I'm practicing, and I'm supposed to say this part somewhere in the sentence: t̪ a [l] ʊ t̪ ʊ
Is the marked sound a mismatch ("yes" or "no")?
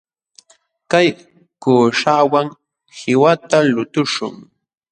no